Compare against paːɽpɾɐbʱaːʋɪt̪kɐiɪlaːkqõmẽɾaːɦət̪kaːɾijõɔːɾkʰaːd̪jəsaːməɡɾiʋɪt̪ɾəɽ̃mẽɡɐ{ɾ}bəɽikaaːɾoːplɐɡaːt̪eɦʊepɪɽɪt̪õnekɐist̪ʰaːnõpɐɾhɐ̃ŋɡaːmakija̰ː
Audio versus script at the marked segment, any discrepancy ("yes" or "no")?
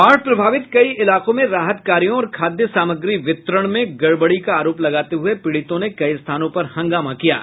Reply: yes